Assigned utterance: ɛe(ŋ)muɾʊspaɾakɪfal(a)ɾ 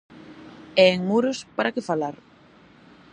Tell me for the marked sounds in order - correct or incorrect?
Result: correct, correct

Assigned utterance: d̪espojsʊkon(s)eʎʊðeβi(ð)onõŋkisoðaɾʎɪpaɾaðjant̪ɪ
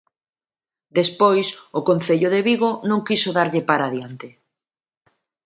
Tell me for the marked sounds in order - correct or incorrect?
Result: incorrect: θ, incorrect: ɣ

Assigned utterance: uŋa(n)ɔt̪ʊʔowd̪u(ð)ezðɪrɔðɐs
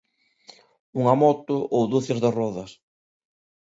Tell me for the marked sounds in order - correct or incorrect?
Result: incorrect: m, incorrect: θ

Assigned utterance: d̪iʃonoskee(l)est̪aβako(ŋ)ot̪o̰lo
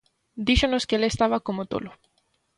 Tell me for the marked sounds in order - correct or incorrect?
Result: correct, incorrect: m

